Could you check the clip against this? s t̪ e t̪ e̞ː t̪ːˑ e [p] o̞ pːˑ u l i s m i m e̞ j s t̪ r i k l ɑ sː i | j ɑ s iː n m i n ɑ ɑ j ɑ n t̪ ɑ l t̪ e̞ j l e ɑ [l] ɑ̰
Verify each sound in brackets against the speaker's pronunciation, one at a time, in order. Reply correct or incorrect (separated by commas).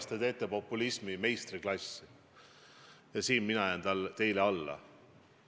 correct, incorrect